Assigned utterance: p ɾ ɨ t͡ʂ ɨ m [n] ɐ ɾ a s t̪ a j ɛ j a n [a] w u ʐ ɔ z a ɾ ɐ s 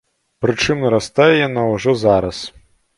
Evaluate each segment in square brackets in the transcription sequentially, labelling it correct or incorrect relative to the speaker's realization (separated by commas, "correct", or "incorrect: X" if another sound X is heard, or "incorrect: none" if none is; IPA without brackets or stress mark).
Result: correct, correct